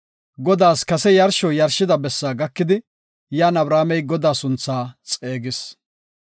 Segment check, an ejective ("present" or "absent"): present